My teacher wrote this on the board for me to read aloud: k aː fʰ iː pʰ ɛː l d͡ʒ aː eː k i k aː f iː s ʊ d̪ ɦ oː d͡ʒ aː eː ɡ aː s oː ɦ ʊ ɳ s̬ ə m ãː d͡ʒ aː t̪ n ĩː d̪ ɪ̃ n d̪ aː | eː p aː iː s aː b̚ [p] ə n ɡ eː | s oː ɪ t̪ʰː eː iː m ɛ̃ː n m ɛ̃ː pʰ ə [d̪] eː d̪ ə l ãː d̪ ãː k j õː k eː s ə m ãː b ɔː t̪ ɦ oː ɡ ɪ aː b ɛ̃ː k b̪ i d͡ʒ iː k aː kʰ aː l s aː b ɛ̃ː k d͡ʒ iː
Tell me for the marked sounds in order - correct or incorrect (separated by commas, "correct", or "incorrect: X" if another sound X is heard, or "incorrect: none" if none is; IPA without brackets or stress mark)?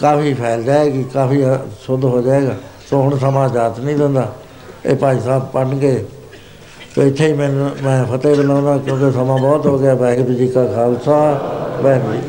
correct, incorrect: t̪